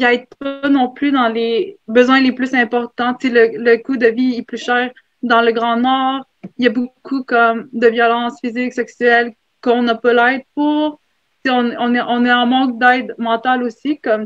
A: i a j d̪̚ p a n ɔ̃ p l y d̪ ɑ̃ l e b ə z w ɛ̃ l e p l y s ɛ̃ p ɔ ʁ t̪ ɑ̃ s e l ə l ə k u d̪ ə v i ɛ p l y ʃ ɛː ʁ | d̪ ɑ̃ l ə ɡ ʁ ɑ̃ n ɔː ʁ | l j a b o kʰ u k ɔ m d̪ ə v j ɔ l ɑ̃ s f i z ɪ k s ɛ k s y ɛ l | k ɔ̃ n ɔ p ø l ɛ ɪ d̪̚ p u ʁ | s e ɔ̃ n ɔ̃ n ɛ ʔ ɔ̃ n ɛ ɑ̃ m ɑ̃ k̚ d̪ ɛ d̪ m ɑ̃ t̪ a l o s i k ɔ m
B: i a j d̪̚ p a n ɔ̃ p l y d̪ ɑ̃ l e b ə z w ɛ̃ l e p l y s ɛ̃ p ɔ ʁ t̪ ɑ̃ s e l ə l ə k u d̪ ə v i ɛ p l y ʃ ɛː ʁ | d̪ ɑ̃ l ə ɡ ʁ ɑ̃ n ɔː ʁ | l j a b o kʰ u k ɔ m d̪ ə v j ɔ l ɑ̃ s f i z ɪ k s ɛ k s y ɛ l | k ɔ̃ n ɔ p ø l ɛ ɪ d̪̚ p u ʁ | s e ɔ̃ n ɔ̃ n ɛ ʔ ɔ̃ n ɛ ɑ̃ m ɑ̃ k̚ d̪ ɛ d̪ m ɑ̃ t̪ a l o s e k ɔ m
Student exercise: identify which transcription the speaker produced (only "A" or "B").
A